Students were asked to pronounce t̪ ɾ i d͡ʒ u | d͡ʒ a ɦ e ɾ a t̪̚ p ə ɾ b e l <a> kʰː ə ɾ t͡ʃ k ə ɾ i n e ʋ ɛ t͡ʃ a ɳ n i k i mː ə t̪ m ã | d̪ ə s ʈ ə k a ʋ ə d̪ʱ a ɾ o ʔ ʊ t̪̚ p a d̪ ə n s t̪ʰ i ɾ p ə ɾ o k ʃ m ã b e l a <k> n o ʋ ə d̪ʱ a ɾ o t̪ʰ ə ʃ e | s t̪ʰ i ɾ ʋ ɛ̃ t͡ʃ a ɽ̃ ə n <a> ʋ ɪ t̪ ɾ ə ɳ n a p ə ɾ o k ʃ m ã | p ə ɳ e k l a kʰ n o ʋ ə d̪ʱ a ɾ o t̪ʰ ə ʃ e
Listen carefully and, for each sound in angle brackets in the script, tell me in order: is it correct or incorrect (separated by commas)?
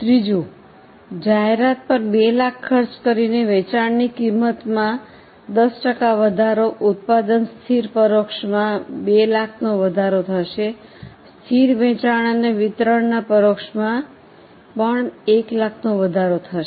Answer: correct, incorrect, incorrect